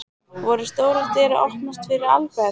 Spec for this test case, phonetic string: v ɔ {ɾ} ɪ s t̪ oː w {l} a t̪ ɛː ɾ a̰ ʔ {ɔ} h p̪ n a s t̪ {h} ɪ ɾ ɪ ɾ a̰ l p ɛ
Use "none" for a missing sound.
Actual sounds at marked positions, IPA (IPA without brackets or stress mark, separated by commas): ɾ, ɾ, ɔ, f